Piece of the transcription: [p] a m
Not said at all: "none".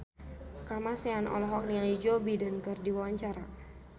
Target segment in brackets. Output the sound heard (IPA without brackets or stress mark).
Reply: k